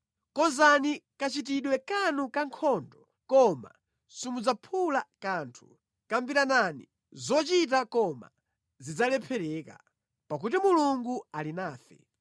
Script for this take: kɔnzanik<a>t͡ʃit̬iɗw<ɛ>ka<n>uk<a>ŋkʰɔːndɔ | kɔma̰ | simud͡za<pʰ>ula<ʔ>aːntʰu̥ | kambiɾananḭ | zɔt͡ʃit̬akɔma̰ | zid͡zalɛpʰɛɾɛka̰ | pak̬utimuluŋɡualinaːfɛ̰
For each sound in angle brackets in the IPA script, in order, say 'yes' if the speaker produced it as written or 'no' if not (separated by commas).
yes, yes, yes, yes, yes, no